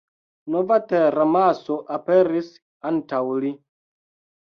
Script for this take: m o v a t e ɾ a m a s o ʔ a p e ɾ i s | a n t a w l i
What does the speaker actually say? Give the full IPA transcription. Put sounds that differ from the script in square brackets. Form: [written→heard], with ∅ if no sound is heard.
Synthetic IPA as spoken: [m→n] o v a t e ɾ a m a s o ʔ a p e ɾ i s | a n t a w l i